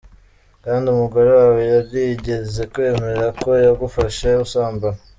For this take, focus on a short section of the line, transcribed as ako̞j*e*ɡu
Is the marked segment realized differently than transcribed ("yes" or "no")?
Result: yes